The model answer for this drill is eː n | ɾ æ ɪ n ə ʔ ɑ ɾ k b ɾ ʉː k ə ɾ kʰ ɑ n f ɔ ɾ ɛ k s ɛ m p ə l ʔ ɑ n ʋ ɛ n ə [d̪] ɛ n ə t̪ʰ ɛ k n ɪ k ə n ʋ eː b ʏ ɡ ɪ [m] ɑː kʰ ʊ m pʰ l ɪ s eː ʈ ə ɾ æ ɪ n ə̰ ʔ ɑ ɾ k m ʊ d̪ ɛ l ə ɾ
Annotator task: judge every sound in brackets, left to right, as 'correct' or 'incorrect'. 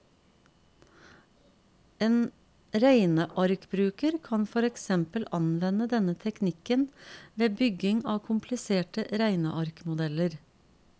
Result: correct, incorrect: ŋ

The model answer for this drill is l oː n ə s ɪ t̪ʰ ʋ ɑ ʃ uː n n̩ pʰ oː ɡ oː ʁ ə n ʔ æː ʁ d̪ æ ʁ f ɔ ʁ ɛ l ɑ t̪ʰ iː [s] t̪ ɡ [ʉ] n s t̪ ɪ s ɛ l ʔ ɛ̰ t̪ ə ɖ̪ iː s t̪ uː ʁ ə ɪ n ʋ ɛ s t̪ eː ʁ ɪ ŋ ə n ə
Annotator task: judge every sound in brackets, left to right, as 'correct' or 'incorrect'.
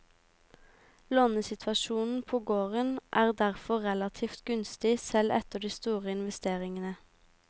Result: incorrect: f, correct

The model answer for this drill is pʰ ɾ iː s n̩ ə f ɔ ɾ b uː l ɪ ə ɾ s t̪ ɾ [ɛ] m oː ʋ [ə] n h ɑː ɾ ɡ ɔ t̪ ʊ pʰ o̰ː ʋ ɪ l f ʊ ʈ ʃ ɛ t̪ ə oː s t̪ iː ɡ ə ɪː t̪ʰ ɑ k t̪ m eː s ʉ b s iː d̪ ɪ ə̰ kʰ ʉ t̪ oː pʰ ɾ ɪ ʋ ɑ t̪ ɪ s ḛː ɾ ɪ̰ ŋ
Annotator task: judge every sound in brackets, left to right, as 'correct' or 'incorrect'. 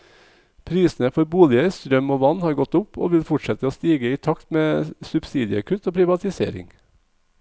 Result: incorrect: œ, incorrect: ɑ

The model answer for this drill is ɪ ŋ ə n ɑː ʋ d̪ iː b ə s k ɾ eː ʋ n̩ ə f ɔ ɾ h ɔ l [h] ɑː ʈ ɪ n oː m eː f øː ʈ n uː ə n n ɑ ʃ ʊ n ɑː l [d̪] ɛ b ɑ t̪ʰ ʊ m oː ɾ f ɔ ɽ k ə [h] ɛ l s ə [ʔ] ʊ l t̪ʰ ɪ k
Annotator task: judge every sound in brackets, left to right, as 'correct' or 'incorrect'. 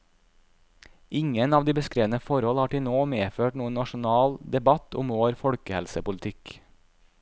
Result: correct, correct, correct, incorrect: p

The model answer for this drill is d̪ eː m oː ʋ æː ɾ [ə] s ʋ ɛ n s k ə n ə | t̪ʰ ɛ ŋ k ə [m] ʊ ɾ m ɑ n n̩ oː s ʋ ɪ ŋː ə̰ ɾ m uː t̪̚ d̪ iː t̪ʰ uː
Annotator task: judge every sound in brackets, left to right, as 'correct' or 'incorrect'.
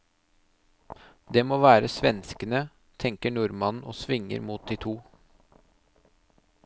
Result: correct, incorrect: ɳ

